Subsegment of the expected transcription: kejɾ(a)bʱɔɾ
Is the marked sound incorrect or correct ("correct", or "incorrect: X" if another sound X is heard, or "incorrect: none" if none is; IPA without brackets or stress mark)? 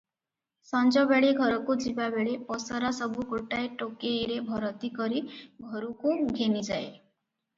incorrect: e